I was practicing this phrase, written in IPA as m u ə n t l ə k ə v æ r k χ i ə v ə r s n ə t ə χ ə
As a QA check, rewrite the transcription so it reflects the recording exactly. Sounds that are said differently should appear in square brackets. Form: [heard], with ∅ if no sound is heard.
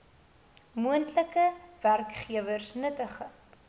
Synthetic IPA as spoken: m u ə n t l ə k ə v æ r k χ i ə v ə r s n ə t ə χ ə